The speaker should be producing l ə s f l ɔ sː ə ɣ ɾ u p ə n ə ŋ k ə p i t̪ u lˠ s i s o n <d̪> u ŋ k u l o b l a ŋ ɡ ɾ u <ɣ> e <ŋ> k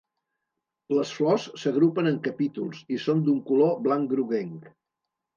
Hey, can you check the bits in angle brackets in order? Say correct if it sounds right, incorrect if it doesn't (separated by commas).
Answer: correct, correct, correct